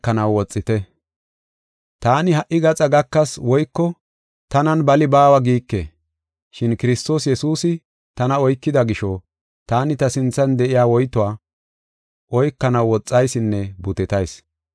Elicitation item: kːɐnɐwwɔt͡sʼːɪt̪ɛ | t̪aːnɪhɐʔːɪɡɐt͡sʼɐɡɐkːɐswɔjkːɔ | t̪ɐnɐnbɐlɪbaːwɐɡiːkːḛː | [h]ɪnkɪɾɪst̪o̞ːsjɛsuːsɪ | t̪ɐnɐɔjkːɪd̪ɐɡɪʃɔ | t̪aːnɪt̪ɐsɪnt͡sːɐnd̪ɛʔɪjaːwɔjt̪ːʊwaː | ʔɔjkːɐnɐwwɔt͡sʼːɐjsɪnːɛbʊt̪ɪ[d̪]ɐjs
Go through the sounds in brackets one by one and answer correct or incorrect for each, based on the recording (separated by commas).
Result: incorrect, incorrect